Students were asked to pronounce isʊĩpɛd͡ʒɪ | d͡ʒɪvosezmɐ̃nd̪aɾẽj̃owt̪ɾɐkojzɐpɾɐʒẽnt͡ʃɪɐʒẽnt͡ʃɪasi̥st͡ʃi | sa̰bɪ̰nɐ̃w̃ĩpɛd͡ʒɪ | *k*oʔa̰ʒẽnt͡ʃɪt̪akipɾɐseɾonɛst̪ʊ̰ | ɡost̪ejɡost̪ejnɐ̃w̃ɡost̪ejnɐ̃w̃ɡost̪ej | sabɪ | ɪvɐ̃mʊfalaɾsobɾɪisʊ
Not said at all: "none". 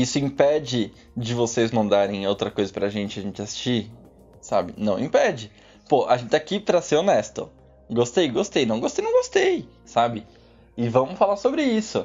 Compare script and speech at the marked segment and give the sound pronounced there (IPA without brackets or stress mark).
p